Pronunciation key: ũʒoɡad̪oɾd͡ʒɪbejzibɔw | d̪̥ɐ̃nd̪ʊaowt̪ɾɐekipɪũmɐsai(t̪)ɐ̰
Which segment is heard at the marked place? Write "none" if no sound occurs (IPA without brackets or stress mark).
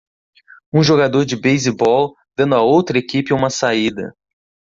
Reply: d̪